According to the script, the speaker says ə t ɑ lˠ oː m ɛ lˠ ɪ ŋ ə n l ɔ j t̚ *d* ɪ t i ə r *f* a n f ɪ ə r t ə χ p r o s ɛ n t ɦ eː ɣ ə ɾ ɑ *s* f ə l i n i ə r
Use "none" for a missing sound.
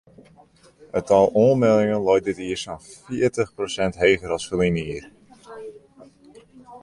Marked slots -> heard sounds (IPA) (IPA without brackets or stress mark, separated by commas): d, s, s